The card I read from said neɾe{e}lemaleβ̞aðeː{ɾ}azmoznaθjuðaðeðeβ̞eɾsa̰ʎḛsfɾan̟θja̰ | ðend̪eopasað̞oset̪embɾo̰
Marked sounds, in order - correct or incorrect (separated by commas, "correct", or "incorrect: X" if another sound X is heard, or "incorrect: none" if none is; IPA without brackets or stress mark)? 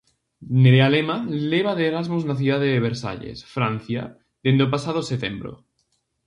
incorrect: a, correct